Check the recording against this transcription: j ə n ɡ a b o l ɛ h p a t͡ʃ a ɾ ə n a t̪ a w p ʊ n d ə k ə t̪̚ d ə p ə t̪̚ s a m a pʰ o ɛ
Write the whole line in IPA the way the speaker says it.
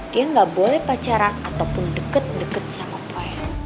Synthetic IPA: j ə ŋ ɡ a b o l ɛ h p a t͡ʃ a ɾ a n a t̪ a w p ʊ n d ə k ə t̪̚ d ə k ə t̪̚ s a m a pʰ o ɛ